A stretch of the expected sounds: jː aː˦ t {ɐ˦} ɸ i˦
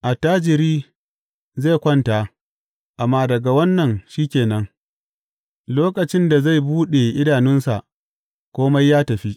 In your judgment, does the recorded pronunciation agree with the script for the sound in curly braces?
no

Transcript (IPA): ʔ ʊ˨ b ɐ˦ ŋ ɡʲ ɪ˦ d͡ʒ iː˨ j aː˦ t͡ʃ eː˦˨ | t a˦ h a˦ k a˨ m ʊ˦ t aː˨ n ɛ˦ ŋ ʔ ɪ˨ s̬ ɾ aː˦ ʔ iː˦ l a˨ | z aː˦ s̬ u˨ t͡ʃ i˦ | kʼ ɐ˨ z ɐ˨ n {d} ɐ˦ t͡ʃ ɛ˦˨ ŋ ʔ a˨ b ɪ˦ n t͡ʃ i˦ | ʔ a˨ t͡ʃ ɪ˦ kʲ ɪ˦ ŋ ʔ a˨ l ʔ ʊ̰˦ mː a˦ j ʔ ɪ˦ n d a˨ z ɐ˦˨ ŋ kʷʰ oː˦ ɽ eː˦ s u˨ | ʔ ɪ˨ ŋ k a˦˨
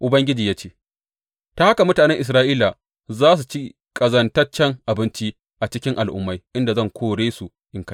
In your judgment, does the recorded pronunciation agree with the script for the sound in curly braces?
no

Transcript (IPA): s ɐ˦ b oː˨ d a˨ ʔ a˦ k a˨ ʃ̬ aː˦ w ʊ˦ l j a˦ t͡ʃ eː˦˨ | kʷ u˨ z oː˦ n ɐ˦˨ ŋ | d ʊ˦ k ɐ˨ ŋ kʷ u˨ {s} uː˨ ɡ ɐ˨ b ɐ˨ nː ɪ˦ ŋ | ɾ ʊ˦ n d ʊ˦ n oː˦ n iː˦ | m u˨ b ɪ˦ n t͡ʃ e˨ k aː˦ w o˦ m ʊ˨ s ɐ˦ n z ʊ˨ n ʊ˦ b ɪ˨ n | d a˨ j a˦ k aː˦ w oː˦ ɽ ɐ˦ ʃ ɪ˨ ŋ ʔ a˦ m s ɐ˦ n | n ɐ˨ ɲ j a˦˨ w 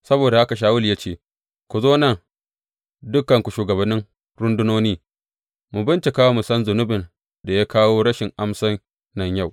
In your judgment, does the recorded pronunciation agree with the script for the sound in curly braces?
no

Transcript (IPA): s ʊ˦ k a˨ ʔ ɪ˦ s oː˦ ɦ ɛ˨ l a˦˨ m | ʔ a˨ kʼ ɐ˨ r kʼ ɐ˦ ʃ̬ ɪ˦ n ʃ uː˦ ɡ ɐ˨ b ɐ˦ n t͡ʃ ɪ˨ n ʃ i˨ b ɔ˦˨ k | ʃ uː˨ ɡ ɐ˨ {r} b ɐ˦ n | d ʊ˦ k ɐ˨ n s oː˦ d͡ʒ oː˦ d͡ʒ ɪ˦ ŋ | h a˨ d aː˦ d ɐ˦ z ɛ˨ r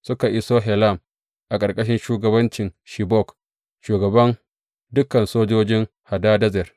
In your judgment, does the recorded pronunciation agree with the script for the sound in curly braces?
no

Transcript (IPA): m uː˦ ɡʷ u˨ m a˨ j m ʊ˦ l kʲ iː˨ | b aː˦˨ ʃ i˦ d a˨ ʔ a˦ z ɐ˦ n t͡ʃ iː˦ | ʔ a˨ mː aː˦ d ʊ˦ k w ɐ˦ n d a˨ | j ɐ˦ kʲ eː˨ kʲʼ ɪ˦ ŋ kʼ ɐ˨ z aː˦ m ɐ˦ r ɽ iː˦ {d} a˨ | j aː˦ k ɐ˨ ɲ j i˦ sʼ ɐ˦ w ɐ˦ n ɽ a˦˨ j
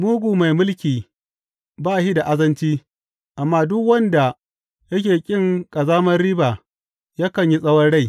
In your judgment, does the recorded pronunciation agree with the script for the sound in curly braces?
no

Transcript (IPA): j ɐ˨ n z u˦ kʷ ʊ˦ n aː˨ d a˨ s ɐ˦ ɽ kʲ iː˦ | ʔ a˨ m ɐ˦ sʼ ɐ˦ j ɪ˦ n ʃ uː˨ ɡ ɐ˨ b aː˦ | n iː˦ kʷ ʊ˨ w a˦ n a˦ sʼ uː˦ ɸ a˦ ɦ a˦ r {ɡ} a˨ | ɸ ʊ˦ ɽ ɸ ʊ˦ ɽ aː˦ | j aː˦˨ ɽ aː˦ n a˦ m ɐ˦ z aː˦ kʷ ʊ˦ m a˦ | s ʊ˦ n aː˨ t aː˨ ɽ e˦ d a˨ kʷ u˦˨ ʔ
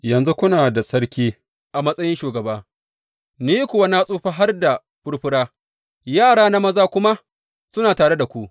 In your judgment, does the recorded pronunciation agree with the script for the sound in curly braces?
no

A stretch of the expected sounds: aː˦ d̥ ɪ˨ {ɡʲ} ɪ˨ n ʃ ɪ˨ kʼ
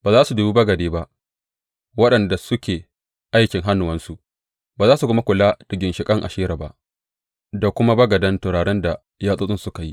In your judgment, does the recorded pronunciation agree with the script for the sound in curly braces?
yes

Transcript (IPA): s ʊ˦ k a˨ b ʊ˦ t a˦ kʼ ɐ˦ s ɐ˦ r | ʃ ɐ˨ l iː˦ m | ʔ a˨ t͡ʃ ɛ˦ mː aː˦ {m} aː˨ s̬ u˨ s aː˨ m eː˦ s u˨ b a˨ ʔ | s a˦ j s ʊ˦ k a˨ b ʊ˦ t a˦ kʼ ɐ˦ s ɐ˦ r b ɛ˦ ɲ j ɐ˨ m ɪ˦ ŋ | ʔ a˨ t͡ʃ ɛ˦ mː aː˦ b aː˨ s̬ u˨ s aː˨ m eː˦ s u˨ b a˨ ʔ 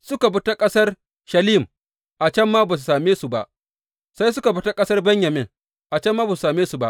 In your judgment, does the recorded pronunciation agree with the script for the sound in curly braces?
no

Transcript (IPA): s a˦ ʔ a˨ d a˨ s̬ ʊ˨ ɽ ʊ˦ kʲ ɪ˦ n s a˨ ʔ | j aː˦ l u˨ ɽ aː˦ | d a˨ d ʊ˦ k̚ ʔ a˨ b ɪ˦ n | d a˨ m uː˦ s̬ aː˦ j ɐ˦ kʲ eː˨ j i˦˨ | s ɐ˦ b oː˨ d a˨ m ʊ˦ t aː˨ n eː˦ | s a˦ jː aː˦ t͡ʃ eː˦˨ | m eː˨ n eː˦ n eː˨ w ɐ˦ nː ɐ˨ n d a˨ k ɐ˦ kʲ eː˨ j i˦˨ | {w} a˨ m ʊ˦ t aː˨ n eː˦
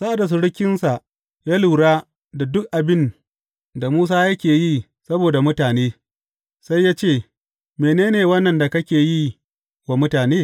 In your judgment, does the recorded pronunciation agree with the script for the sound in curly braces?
yes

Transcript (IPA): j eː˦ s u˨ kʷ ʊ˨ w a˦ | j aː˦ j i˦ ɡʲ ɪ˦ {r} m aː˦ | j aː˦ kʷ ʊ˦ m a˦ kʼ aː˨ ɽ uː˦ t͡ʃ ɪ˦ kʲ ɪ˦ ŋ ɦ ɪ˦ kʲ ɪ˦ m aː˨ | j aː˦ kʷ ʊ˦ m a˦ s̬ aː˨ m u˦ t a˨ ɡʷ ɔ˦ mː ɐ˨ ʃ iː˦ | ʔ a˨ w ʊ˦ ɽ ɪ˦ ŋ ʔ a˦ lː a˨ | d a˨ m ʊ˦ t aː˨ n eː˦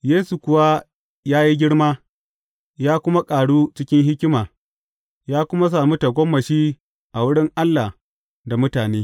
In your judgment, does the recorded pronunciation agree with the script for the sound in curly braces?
no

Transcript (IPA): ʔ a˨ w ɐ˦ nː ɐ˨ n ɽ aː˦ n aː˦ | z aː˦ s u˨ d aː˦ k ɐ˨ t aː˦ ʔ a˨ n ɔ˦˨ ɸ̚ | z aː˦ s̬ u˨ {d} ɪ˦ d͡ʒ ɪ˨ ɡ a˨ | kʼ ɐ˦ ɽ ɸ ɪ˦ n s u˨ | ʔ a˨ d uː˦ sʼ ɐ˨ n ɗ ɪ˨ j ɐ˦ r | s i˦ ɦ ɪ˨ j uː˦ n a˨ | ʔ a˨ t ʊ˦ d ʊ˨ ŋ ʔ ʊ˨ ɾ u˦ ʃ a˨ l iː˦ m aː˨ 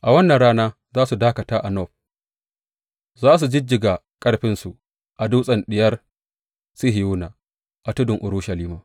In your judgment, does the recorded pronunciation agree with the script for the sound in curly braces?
no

